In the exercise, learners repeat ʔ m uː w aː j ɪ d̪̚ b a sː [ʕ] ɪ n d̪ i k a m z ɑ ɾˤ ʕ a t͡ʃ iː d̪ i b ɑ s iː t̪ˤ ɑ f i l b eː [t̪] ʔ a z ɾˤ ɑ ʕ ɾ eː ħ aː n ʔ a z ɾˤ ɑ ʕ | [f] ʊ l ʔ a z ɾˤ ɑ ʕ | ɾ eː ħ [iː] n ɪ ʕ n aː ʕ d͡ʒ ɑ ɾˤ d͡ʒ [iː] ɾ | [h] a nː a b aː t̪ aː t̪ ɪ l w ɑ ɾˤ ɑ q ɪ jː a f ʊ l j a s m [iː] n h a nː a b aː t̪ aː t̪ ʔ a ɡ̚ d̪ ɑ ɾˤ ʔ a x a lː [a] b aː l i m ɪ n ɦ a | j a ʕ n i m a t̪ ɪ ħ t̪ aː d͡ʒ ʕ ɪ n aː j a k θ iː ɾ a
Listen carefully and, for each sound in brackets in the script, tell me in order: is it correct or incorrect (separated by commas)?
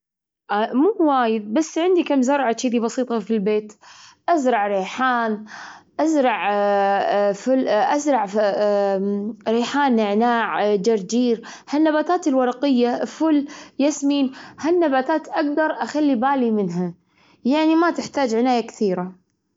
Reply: correct, correct, correct, incorrect, correct, correct, correct, incorrect